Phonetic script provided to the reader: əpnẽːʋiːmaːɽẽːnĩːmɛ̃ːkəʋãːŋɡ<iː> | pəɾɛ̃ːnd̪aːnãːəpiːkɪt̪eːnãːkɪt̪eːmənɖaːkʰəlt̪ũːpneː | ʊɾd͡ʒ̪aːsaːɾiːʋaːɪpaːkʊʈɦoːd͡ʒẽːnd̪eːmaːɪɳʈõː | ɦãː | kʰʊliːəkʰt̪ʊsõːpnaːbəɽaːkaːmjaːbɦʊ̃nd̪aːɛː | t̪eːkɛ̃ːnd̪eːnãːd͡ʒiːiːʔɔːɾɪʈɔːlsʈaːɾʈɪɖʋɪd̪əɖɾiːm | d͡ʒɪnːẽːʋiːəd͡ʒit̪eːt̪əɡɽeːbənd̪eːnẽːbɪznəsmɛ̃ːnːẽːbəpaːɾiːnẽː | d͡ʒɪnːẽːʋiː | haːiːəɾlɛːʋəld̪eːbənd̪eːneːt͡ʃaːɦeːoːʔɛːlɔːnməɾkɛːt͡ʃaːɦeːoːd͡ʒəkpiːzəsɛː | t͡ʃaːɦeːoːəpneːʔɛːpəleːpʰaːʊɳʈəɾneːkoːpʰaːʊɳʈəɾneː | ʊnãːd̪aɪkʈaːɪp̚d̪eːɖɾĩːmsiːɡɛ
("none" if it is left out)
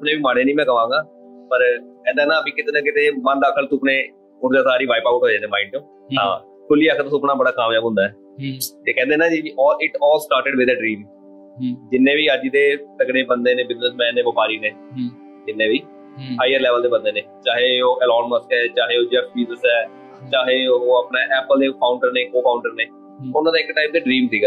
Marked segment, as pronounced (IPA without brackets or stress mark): aː